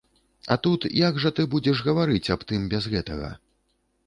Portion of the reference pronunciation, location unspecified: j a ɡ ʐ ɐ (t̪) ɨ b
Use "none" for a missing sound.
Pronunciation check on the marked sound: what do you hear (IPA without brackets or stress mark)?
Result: t̪